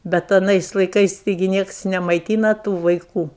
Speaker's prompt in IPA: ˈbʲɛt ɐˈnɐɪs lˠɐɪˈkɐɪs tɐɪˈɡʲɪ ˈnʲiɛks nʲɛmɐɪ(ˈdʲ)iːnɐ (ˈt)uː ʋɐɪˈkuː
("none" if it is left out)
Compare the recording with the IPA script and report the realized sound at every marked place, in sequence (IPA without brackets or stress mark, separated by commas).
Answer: tʲ, t